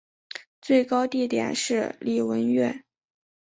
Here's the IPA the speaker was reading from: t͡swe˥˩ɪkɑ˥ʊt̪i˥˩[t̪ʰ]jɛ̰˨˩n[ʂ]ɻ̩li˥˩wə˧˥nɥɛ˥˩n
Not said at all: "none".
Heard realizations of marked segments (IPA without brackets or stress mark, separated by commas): t̪, ʂ